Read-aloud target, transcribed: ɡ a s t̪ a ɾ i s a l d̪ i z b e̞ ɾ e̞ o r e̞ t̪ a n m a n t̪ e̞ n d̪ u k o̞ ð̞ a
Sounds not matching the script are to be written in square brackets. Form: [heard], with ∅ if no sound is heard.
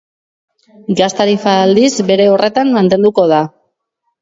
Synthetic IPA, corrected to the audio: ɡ a s t̪ a ɾ i [f] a l d̪ i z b e̞ ɾ e̞ o r e̞ t̪ a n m a n t̪ e̞ n d̪ u k o̞ ð̞ a

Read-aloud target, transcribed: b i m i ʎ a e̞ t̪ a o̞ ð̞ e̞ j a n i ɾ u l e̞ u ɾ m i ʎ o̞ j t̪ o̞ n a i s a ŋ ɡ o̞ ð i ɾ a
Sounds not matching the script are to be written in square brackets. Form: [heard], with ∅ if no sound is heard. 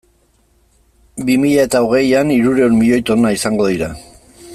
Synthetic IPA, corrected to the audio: b i m i ʎ a e̞ t̪ a o̞ [ɣ̞] e̞ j a n i ɾ u [ɾ] e̞ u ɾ m i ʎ o̞ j t̪ o̞ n a i s a ŋ ɡ o̞ ð i ɾ a

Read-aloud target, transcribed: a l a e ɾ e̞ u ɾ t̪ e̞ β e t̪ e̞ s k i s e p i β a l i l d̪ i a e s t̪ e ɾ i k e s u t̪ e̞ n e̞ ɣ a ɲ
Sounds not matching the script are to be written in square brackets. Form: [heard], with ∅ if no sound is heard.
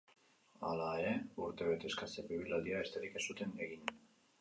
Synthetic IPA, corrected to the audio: a l a e ɾ e̞ u ɾ t̪ e̞ β e t̪ e̞ s k [a] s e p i β [i] l [a] l d̪ i a e s t̪ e ɾ i k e s u t̪ e̞ n e̞ ɣ [i] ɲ

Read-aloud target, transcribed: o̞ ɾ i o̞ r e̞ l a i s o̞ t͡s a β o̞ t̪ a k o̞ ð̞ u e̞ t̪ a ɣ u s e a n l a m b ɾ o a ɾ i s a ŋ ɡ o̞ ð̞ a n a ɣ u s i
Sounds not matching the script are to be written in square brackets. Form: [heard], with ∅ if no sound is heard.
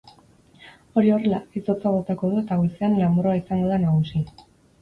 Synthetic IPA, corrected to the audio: o̞ ɾ i o̞ r e̞ l a i s o̞ t͡s a β o̞ t̪ a k o̞ ð̞ u e̞ t̪ a ɣ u s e a n l a m b ɾ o a [∅] i s a ŋ ɡ o̞ ð̞ a n a ɣ u s i

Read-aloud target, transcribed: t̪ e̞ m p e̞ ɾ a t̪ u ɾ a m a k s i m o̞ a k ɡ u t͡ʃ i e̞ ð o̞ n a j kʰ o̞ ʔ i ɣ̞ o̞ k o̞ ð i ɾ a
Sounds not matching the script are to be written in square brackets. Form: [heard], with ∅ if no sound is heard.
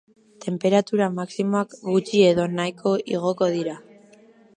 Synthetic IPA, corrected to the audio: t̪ e̞ m p e̞ ɾ a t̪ u ɾ a m a k s i m o̞ a k ɡ u t͡ʃ i e̞ ð o̞ n a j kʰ o̞ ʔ i ɣ̞ o̞ k o̞ ð i ɾ a

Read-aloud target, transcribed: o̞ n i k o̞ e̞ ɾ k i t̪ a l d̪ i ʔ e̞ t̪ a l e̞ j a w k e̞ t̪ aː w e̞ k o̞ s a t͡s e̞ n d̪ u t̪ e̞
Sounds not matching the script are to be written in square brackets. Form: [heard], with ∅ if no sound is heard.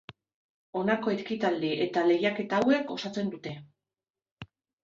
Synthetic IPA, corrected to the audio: o̞ n [a] k o̞ e̞ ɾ k i t̪ a l d̪ i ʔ e̞ t̪ a l e̞ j a [∅] k e̞ t̪ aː w e̞ k o̞ s a t͡s e̞ n d̪ u t̪ e̞

